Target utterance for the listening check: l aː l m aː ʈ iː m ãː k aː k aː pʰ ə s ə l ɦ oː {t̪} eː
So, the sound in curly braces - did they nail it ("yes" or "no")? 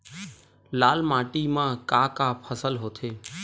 no